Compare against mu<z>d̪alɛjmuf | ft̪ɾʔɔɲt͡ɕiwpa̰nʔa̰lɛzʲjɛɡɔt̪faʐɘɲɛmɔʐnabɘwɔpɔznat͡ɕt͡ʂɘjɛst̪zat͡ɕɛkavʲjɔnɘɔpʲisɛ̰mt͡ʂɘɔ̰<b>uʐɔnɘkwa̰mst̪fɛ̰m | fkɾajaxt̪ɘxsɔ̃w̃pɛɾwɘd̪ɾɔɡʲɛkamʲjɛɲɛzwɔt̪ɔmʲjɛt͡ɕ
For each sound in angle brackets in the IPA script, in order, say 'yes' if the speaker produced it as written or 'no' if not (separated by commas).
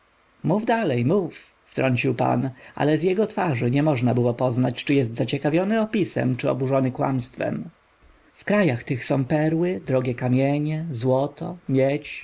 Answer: no, yes